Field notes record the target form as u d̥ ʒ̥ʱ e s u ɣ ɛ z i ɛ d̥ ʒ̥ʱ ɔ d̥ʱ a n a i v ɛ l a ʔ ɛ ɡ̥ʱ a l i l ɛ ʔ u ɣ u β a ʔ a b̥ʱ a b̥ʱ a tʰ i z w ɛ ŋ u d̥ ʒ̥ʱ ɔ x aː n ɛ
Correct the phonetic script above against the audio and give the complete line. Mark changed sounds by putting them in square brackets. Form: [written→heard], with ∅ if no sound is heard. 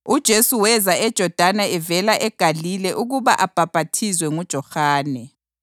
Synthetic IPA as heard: u d̥ ʒ̥ʱ e s u [ɣ→w] ɛ z [i→a] ɛ d̥ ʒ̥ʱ ɔ d̥ʱ a n a [i→ɛ] v ɛ l a ʔ ɛ ɡ̥ʱ a l i l ɛ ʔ u ɣ u β a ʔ a b̥ʱ a b̥ʱ a tʰ i z w ɛ ŋ u d̥ ʒ̥ʱ ɔ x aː n ɛ